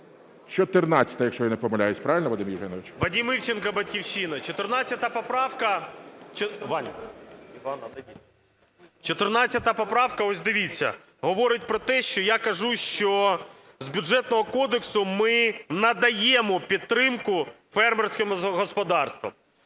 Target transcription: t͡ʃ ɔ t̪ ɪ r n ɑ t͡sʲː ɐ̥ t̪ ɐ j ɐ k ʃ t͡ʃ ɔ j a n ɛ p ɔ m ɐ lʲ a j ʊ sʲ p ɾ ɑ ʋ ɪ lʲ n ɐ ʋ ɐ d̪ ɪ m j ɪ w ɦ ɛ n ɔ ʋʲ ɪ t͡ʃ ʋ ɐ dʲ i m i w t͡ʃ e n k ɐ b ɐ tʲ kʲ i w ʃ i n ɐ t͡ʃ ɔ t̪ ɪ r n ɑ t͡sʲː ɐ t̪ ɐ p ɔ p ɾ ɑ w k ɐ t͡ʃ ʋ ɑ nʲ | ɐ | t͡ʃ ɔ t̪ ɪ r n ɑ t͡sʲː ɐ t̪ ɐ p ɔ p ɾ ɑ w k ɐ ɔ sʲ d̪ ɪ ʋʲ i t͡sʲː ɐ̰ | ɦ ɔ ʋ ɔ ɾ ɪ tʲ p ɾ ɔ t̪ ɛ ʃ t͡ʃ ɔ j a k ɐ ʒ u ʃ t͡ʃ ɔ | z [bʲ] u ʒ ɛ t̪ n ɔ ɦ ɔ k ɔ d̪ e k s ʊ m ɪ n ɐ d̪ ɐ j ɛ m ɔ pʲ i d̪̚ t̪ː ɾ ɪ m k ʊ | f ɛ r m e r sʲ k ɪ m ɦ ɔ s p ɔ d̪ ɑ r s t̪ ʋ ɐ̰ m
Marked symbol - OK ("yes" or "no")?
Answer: yes